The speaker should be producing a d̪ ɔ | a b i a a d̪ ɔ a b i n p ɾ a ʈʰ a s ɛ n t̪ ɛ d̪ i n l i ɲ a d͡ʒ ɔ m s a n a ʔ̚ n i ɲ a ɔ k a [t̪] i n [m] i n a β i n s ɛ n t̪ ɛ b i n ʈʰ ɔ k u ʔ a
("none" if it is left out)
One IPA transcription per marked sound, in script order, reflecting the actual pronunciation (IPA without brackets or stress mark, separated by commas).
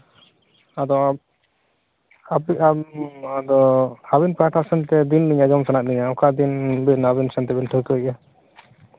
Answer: d̪, b